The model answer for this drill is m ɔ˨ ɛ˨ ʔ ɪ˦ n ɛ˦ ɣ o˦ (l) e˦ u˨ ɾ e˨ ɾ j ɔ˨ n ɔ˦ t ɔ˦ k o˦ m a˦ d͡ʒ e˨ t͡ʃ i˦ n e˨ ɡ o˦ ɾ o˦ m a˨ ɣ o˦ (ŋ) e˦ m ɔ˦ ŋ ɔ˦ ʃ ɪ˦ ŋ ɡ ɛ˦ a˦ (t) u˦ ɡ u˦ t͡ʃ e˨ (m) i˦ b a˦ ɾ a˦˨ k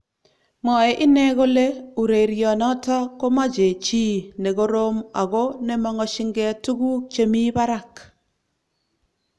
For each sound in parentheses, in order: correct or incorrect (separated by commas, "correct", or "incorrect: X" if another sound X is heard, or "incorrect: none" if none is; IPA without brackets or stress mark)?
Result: correct, incorrect: n, correct, correct